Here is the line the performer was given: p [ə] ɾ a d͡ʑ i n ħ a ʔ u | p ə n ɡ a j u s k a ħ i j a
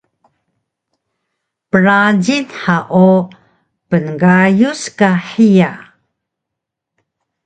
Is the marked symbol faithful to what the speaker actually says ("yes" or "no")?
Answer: yes